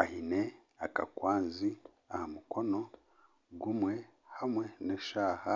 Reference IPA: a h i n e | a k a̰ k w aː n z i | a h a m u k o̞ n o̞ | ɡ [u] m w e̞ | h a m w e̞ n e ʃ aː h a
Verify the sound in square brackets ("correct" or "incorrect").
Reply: correct